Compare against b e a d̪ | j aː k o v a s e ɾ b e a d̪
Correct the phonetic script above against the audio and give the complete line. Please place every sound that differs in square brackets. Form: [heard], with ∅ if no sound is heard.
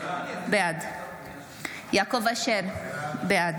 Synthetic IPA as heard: b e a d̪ | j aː k o v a [ʃ] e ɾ b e a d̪